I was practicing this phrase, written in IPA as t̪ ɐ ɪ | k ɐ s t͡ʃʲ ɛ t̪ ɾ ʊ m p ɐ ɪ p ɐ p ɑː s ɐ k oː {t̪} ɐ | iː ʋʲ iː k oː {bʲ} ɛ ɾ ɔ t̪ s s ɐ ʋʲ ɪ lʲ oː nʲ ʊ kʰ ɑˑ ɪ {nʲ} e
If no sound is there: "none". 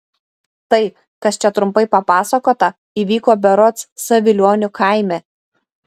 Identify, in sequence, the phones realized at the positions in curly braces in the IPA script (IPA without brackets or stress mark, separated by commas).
t̪, bʲ, mʲ